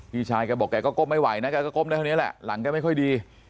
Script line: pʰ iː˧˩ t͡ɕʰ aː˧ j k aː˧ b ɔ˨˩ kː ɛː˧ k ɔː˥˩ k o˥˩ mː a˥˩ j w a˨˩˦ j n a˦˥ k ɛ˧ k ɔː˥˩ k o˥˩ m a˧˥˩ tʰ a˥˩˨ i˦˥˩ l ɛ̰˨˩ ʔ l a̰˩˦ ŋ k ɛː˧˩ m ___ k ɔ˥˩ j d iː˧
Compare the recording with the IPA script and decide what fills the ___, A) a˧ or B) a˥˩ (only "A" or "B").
B